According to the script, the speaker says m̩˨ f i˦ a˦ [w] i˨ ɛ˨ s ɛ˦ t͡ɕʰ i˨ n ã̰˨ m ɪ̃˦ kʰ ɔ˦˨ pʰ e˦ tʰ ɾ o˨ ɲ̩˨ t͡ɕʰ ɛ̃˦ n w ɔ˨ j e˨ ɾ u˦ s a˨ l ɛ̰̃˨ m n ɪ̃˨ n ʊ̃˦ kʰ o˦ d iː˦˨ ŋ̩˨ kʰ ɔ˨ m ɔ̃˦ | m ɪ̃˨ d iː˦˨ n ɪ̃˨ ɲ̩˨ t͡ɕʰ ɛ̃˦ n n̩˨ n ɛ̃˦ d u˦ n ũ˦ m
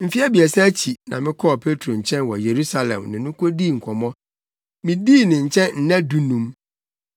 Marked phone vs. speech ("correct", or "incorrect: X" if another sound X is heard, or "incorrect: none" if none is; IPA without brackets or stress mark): incorrect: b